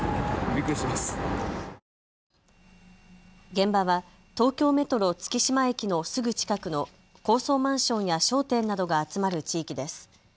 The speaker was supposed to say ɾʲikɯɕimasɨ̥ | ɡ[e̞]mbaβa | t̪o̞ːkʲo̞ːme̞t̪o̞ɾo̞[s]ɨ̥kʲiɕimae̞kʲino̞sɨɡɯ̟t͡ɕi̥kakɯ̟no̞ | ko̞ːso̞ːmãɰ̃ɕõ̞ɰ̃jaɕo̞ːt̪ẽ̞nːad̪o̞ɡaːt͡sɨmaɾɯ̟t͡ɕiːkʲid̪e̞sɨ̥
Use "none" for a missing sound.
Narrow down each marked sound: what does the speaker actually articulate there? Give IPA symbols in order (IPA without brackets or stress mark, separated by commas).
ẽ̞, t͡s